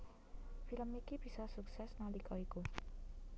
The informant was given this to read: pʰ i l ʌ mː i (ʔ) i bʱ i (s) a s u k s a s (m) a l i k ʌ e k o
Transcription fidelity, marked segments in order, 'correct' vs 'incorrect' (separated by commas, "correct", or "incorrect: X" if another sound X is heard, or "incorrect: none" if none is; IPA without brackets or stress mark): incorrect: k, correct, incorrect: n